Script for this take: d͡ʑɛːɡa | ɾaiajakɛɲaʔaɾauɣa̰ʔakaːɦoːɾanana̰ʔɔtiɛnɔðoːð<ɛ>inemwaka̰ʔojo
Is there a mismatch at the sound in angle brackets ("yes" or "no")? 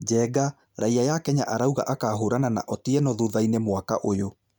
yes